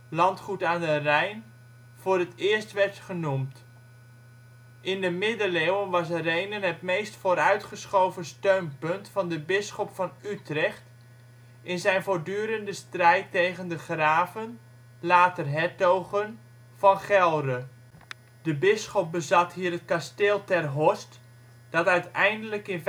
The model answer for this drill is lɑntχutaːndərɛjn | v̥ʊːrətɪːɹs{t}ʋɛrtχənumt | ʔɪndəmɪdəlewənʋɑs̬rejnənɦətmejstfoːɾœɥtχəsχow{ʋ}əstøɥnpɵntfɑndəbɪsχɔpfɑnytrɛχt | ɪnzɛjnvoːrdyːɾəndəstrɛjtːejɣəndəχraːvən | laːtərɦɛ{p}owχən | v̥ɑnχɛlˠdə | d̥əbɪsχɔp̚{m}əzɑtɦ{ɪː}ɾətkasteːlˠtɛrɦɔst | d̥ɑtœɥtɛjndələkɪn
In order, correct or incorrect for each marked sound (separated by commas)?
correct, incorrect, incorrect, incorrect, incorrect